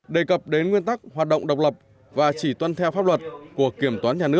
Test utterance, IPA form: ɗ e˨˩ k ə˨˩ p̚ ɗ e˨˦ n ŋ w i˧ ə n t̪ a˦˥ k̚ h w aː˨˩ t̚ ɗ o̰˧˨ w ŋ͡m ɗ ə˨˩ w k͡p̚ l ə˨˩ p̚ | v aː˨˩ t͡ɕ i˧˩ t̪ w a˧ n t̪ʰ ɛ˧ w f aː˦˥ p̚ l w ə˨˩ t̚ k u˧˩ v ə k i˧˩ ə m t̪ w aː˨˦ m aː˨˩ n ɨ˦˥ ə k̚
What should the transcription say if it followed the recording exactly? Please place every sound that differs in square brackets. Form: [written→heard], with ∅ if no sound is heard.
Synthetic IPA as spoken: ɗ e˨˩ k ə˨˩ p̚ ɗ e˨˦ n ŋ w i˧ ə n t̪ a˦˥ k̚ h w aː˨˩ t̚ ɗ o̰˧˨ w ŋ͡m ɗ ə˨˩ w k͡p̚ l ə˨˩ p̚ | v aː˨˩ t͡ɕ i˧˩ t̪ w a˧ n t̪ʰ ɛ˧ w f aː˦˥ p̚ l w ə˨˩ t̚ k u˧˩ [v→∅] ə k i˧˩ ə m t̪ w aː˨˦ [m→ɲ] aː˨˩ n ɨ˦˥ ə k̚